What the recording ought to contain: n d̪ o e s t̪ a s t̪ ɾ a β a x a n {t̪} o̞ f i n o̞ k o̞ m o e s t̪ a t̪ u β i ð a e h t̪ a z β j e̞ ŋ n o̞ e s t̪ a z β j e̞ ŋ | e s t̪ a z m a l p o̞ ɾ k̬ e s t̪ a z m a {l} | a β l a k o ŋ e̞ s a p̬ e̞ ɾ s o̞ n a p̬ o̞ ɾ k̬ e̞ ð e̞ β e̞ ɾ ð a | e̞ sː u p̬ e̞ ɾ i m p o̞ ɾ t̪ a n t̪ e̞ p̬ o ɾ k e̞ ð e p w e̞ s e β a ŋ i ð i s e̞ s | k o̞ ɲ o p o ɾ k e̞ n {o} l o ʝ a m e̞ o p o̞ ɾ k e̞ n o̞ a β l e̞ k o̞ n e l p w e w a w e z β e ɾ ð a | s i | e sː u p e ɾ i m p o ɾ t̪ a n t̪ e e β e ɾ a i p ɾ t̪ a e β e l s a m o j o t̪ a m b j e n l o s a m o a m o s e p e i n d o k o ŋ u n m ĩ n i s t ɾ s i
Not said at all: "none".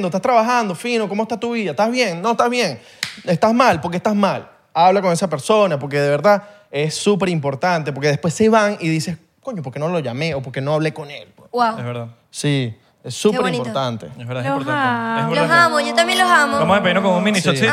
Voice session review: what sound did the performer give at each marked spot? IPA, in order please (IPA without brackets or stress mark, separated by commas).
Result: d̪, l, o